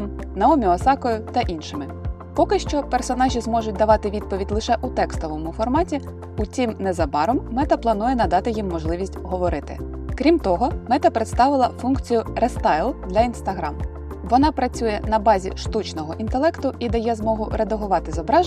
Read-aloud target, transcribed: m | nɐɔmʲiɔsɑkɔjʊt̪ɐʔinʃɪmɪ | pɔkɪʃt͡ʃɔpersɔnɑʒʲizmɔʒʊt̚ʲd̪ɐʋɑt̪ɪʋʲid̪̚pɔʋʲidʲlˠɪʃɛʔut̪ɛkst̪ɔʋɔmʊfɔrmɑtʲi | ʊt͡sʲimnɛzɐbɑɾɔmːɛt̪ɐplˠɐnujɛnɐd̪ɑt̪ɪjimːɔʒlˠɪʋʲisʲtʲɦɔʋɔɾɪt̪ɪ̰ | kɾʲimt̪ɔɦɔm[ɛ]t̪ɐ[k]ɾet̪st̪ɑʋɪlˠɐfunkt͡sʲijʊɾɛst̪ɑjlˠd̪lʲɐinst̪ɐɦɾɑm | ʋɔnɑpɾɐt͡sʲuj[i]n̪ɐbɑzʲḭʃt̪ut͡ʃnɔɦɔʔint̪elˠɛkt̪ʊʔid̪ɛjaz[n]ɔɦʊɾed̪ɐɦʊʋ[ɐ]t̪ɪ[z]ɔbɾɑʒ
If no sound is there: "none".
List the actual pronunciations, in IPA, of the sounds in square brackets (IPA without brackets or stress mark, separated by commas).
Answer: ɛ, p, ɛ, m, ɑ, z